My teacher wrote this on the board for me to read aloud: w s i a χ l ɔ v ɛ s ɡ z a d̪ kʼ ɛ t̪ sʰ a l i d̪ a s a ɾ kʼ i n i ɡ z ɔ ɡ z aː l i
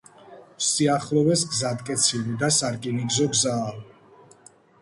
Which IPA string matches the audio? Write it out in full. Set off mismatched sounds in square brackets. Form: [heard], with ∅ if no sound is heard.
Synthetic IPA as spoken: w s i a χ l ɔ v ɛ s ɡ z a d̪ kʼ ɛ t̪ sʰ [i] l i d̪ a s a ɾ kʼ i n i ɡ z ɔ ɡ z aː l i